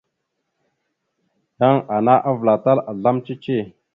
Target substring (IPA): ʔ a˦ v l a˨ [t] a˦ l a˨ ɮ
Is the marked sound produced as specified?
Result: yes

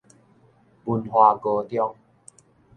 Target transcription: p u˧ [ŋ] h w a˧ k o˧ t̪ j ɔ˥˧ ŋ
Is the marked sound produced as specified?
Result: no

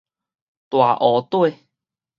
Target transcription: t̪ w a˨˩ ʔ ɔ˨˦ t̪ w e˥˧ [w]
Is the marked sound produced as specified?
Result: no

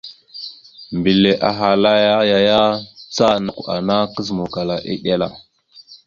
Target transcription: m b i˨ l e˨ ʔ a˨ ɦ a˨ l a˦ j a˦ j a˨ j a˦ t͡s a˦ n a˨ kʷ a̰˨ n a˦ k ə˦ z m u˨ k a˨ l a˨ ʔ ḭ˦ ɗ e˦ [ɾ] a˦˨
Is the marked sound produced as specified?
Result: no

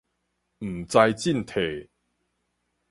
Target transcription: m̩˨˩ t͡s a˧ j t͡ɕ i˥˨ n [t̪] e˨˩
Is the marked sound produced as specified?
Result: no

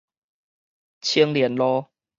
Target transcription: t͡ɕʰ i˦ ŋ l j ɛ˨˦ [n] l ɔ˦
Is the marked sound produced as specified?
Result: yes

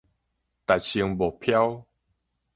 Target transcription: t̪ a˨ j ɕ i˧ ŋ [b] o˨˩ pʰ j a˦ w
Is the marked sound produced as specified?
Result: yes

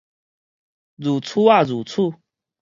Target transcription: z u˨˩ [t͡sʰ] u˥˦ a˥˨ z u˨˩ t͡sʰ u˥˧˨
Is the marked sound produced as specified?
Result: yes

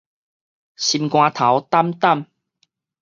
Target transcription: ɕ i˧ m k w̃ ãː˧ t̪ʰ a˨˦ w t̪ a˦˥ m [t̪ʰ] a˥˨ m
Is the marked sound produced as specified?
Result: no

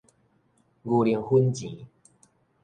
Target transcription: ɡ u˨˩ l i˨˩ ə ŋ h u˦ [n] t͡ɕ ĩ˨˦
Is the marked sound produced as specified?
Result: yes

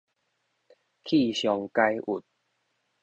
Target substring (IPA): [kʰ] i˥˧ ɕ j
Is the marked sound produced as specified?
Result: yes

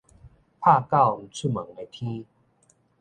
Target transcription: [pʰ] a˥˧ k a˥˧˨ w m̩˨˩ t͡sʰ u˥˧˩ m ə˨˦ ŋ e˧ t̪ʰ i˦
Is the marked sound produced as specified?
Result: yes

